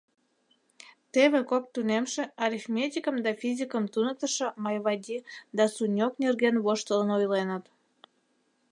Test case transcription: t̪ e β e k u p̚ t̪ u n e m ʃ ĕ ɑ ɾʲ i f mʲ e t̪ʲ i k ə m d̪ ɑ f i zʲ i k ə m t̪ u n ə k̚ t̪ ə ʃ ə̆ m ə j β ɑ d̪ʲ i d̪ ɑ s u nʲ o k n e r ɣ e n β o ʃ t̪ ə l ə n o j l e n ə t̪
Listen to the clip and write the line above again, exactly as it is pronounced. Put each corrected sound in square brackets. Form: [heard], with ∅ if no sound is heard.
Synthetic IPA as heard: t̪ e β e k [o] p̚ t̪ u n e m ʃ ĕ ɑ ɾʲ i f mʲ e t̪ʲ i k ə m d̪ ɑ f i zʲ i k ə m t̪ u n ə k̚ t̪ ə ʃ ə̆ m [ɑ] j β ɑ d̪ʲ i d̪ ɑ s u nʲ o k n e r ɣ e n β o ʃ t̪ ə l ə n o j l e n ə t̪